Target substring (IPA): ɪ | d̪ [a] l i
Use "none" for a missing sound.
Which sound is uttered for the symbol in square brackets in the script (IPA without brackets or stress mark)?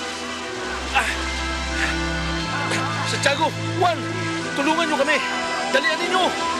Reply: a